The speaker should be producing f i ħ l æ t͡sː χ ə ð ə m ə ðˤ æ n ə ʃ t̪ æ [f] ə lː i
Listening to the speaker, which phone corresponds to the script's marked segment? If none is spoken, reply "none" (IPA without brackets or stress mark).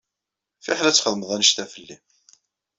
f